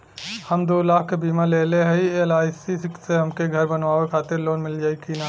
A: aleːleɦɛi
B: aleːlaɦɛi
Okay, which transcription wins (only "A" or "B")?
A